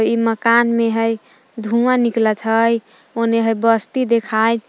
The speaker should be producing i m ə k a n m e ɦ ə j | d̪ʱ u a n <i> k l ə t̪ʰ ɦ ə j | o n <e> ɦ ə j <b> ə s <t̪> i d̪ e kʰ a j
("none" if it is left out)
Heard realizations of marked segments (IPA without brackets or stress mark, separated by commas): i, e, b, t̪